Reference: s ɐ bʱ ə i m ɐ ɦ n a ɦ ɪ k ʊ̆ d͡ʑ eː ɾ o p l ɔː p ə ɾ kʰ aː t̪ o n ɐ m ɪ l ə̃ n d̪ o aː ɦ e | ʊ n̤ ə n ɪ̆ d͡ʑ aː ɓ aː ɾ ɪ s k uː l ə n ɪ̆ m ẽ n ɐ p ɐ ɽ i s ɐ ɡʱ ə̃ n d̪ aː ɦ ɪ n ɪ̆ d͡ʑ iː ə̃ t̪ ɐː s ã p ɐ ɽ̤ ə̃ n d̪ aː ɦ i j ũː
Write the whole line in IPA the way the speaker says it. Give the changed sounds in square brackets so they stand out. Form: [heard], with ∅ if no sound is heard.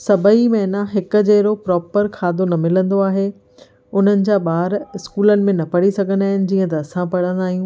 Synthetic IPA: s ɐ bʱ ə i m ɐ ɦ n a ɦ ɪ k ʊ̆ d͡ʑ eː ɾ o p [ɾ] ɔː p ə ɾ kʰ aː [d̪] o n ɐ m ɪ l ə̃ n d̪ o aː ɦ e | ʊ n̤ ə n ɪ̆ d͡ʑ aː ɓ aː ɾ ɪ s k uː l ə n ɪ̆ m ẽ n ɐ p ɐ ɽ i s ɐ ɡʱ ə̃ n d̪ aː ɦ ɪ n ɪ̆ d͡ʑ iː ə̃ t̪ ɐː s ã p ɐ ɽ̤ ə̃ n d̪ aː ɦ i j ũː